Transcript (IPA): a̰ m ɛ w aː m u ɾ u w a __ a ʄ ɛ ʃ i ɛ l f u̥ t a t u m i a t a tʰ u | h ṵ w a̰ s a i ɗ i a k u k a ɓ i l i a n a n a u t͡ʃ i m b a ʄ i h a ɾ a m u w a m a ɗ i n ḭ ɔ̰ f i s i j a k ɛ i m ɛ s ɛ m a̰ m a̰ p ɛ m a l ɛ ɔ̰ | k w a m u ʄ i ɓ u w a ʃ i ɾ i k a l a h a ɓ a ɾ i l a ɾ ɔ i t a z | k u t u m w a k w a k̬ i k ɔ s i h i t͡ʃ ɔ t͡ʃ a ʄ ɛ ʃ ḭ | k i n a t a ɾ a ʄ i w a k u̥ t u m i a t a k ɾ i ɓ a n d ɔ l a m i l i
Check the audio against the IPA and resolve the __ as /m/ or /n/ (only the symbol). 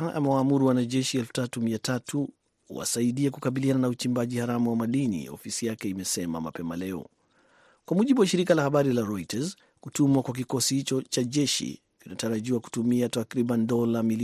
n